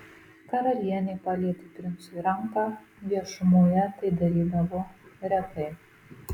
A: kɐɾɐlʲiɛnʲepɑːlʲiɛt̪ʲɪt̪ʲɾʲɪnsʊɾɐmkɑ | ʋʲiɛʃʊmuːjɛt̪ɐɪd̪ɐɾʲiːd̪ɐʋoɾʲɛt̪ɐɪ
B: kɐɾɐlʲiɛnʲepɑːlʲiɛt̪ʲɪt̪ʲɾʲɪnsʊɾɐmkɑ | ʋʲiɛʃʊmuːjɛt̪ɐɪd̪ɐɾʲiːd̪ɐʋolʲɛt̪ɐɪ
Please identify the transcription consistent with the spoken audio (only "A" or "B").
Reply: A